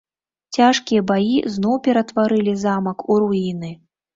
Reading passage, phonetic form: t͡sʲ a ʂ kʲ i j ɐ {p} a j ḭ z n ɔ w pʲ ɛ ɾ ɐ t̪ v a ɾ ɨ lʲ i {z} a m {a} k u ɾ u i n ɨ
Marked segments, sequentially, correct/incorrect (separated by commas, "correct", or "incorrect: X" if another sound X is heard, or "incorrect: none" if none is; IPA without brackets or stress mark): incorrect: b, correct, incorrect: ɐ